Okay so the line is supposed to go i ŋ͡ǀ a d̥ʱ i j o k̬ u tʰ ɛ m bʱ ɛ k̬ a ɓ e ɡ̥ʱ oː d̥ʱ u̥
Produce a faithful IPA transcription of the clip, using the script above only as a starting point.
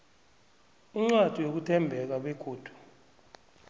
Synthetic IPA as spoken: i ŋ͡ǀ a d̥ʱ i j o k̬ u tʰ ɛ m bʱ ɛ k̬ a ɓ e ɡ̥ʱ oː d̥ʱ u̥